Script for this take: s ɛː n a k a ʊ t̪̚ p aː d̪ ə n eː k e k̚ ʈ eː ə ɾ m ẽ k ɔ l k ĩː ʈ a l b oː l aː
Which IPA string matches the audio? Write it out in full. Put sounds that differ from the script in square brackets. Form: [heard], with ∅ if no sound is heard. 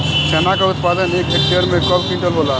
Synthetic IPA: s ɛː n a k a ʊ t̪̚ p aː d̪ ə n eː k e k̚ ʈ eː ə ɾ m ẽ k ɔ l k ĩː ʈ [ə] l b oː l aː